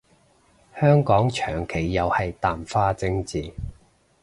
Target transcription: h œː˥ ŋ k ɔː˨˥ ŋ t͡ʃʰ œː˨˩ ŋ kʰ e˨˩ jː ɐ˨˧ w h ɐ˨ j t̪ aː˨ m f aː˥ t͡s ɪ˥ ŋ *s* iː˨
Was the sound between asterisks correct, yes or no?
no